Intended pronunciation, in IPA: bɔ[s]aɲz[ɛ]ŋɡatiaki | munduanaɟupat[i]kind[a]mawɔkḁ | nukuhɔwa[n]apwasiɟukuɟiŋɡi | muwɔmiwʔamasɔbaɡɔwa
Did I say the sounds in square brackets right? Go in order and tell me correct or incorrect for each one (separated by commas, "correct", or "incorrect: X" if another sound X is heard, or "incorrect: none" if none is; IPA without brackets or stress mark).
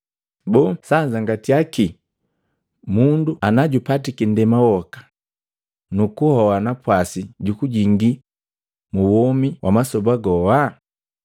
correct, incorrect: a, correct, incorrect: ɛ, correct